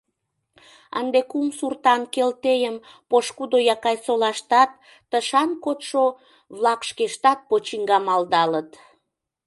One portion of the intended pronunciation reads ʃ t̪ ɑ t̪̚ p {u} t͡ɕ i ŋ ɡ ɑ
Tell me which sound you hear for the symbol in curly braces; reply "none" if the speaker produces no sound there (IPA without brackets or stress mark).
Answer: o